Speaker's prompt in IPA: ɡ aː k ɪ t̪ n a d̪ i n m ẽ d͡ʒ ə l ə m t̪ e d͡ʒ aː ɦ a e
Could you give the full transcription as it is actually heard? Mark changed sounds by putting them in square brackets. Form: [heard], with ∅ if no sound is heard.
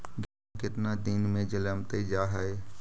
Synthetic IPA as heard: ɡ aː k ɪ t̪ n a d̪ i n m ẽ d͡ʒ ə l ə m t̪ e d͡ʒ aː ɦ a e